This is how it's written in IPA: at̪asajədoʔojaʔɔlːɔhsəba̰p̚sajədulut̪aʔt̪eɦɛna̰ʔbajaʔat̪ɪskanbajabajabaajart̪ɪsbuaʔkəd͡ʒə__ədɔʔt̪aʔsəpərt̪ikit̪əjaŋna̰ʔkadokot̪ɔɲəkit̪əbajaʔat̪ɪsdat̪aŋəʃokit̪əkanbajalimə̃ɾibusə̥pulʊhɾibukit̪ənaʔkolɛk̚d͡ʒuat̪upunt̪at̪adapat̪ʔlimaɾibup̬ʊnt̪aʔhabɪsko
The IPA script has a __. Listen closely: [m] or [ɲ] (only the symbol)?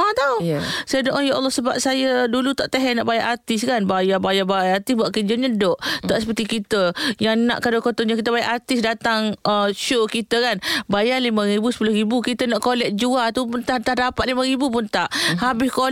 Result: ɲ